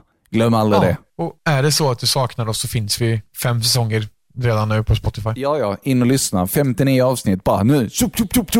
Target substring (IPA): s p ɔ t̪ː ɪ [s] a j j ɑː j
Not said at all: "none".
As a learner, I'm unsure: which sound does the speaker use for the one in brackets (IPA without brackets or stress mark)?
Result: f